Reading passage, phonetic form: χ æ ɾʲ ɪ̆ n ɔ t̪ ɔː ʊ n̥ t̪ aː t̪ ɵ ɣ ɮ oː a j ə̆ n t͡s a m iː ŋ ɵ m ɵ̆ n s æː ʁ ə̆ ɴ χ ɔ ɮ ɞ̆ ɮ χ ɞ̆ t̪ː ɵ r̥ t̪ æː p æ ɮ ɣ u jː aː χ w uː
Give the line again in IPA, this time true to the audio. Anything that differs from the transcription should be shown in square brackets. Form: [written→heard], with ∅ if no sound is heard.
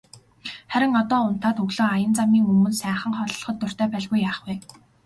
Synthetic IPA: χ æ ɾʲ ɪ̆ [n→ŋ] ɔ t̪ ɔː ʊ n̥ t̪ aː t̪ ɵ ɣ ɮ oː a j ə̆ n t͡s a m iː ŋ ɵ m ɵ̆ n s æː [ʁ→χ] ə̆ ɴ χ ɔ ɮ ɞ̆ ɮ χ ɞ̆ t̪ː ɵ r̥ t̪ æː p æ ɮ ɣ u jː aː χ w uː